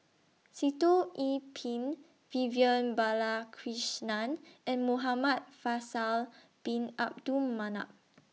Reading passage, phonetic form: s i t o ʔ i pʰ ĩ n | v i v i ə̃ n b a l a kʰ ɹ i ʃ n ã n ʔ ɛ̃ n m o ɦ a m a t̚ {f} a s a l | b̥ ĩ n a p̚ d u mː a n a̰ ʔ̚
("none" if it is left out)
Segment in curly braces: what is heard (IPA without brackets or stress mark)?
f